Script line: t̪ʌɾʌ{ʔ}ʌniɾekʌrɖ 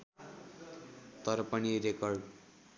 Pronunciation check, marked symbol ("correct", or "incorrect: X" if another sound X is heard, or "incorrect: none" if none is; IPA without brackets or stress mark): incorrect: p